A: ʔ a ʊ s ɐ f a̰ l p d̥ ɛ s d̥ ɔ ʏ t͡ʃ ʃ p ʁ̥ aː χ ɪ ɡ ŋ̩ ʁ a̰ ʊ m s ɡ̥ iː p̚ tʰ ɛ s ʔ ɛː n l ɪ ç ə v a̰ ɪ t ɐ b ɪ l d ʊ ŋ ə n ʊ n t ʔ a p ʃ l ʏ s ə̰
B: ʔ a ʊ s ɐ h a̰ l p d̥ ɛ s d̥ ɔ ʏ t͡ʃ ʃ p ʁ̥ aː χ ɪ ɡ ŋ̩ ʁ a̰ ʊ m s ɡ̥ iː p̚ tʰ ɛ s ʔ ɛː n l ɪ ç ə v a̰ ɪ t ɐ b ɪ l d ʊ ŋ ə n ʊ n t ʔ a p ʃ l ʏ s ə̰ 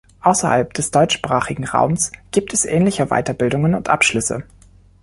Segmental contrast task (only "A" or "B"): B